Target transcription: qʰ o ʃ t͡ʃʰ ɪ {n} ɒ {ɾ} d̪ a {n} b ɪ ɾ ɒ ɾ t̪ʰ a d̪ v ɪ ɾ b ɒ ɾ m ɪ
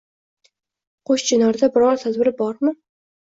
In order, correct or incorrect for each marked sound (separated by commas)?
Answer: correct, correct, incorrect